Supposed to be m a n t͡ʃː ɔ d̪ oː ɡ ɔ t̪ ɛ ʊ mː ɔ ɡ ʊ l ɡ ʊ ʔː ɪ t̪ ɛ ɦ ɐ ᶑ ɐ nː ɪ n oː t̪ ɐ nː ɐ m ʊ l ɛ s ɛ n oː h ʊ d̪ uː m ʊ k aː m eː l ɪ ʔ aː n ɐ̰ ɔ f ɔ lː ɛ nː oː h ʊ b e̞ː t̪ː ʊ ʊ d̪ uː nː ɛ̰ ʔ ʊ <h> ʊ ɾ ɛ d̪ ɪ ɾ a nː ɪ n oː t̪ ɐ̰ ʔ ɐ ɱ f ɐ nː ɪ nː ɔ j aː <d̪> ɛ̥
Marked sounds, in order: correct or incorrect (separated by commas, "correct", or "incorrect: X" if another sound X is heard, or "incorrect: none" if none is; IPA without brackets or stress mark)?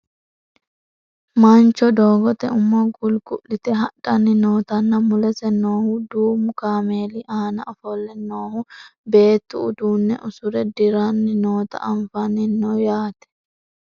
incorrect: s, incorrect: t̪